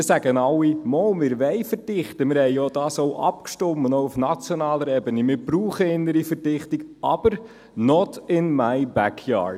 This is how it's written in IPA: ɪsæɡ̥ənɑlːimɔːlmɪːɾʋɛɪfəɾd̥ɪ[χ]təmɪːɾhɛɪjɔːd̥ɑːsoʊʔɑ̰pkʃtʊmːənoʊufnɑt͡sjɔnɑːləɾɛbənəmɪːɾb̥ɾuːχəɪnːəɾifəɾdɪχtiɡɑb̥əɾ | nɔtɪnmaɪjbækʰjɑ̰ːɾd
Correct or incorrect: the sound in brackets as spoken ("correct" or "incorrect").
correct